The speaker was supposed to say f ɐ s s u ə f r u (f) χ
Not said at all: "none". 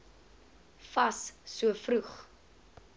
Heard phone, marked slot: none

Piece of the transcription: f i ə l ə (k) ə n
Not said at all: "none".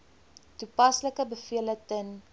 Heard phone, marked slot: t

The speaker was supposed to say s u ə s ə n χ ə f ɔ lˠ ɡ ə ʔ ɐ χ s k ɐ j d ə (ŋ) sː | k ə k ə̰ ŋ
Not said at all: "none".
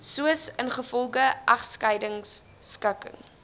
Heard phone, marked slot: ŋ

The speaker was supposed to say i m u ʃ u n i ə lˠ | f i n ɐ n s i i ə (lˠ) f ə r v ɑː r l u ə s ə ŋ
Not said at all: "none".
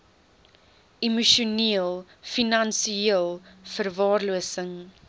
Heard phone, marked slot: lˠ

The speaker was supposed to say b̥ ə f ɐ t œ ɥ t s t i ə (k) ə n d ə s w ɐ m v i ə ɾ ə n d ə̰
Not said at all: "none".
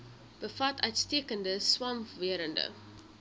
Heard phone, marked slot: k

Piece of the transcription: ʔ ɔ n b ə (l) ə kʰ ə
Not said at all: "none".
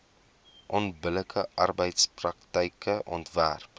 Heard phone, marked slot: l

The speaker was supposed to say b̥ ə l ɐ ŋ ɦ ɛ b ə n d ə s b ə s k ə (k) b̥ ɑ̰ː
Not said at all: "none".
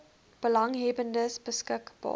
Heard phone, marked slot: k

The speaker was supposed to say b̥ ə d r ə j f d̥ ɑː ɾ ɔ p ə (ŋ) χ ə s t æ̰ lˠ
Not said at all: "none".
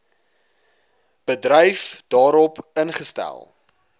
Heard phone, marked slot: n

